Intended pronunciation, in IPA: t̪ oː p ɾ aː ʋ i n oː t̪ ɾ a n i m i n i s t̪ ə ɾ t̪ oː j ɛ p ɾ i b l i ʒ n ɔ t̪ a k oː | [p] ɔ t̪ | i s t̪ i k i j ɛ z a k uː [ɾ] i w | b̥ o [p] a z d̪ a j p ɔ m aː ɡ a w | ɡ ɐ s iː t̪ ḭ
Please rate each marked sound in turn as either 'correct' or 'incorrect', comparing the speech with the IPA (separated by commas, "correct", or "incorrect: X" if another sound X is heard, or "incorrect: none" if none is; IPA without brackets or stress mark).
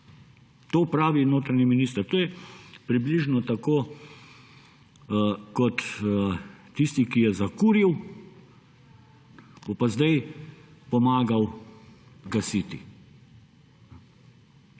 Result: incorrect: k, correct, correct